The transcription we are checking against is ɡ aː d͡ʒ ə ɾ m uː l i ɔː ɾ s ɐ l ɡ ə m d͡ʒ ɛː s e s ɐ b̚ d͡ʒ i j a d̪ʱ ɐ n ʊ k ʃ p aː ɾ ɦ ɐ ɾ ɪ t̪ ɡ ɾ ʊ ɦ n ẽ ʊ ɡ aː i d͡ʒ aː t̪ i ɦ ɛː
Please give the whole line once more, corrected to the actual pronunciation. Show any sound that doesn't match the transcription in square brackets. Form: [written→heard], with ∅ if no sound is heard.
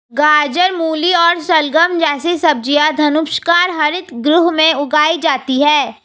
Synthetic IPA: ɡ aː d͡ʒ ə ɾ m uː l i ɔː ɾ s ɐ l ɡ ə m d͡ʒ ɛː s e s ɐ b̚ d͡ʒ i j a d̪ʱ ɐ n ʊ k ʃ [p→k] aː ɾ ɦ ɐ ɾ ɪ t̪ ɡ ɾ ʊ ɦ [n→m] ẽ ʊ ɡ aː i d͡ʒ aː t̪ i ɦ ɛː